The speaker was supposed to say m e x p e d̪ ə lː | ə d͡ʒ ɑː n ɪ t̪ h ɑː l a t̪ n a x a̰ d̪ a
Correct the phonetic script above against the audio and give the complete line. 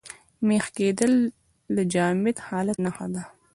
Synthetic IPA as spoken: m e x k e d̪ ə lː | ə d͡ʒ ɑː m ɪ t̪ h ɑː l a t̪ n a x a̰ d̪ a